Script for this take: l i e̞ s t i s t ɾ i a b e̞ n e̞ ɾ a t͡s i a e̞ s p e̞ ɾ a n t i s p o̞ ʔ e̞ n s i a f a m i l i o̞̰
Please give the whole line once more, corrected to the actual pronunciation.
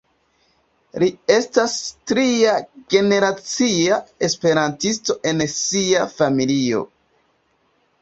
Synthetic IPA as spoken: l i e̞ s t a s t ɾ i a ɡ e̞ n e̞ ɾ a t͡s i a e̞ s p e̞ ɾ a n t i s t o̞ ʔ e̞ n s i a f a m i l i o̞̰